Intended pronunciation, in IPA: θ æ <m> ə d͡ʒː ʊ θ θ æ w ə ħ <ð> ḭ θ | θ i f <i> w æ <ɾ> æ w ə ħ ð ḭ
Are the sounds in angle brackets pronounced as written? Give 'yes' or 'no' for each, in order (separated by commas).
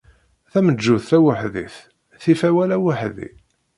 yes, yes, no, no